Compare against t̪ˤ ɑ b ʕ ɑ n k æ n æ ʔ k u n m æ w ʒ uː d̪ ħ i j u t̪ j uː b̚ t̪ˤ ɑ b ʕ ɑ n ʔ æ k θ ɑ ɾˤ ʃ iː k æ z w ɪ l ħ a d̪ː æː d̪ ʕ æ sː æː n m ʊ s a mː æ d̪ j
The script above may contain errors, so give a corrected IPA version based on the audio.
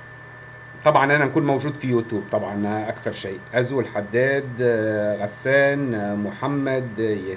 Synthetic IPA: t̪ˤ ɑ b ʕ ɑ n ʔ æ n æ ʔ k uː n m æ w ʒ uː d̪ f i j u t̪ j uː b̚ t̪ˤ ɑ b ʕ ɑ n ʔ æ k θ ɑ ɾˤ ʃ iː ʔ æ z w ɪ l ħ a d̪ː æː d̪ ɣ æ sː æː n m ʊ ħ a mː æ d̪ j